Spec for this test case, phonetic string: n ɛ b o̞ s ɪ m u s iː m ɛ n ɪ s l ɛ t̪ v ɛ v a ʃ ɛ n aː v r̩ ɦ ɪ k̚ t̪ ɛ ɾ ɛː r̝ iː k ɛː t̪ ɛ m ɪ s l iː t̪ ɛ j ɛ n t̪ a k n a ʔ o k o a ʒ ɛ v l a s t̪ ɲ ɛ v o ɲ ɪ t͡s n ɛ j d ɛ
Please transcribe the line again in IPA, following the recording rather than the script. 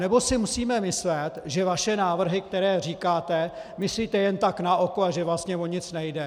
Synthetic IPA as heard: n ɛ b o̞ s ɪ m u s iː m ɛ m ɪ s l ɛ t̪ ʒ ɛ v a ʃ ɛ n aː v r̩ ɦ ɪ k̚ t̪ ɛ ɾ ɛː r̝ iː k aː t̪ ɛ m ɪ s l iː t̪ ɛ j ɛ n t̪ a k n a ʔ o k o a ʒ ɛ v l a s t̪ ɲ ɛ v o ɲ ɪ t͡s n ɛ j d ɛ

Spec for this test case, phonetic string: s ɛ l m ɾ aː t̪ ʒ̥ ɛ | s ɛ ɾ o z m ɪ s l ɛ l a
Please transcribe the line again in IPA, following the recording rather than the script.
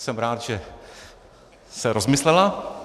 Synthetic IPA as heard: s ɛ m ɾ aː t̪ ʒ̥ ɛ | s ɛ ɾ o z m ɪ s l ɛ l a

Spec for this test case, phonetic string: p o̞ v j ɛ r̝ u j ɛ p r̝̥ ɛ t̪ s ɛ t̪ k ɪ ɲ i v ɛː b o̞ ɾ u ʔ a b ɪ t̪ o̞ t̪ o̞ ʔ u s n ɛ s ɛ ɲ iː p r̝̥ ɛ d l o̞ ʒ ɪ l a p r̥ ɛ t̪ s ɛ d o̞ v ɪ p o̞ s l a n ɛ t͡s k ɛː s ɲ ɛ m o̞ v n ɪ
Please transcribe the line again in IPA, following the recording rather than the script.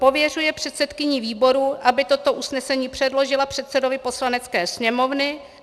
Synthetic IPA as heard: p o̞ v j ɛ r̝ u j ɛ p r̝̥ ɛ t̪ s ɛ t̪ k ɪ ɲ i v iː b o̞ ɾ u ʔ a b ɪ t̪ o̞ t̪ o̞ ʔ u s n ɛ s ɛ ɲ iː p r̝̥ ɛ d l o̞ ʒ ɪ l a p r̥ ɛ t̪ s ɛ d o̞ v ɪ p o̞ s l a n ɛ t͡s k ɛː s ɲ ɛ m o̞ v n ɪ

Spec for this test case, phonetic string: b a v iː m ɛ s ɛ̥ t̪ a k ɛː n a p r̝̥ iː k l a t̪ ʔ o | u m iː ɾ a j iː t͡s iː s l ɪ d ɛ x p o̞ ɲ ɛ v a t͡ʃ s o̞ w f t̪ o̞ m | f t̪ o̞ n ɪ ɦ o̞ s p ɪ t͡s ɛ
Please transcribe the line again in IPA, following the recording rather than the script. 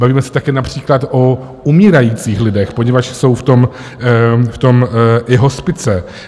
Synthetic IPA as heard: b a v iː m ɛ s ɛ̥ t̪ a k ɛː n a p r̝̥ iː k l a t̪ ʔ o | u m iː ɾ a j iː t͡s iː x l ɪ d ɛ x p o̞ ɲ ɛ v a t͡ʃ s o̞ w f t̪ o̞ m | f t̪ o̞ m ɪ ɦ o̞ s p ɪ t͡s ɛ

